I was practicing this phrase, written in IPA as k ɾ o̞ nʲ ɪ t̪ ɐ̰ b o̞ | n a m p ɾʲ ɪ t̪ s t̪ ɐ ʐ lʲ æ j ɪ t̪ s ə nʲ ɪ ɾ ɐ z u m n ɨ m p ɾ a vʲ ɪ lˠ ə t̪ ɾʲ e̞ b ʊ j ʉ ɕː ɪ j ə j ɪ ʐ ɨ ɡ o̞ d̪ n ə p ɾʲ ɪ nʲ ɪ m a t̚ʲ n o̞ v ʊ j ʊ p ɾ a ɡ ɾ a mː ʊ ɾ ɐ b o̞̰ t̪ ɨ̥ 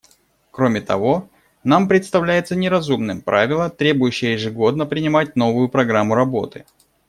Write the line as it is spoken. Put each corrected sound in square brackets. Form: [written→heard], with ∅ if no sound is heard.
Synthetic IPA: k ɾ o̞ [nʲ→mʲ] ɪ t̪ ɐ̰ [b→v] o̞ | n a m p ɾʲ ɪ t̪ s t̪ ɐ [ʐ→v] lʲ æ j ɪ t̪ s ə nʲ ɪ ɾ ɐ z u m n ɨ m p ɾ a vʲ ɪ lˠ ə t̪ ɾʲ e̞ b ʊ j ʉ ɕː ɪ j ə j ɪ ʐ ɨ ɡ o̞ d̪ n ə p ɾʲ ɪ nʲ ɪ m a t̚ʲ n o̞ v ʊ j ʊ p ɾ [a→ɐ] ɡ ɾ a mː ʊ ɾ ɐ b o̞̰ t̪ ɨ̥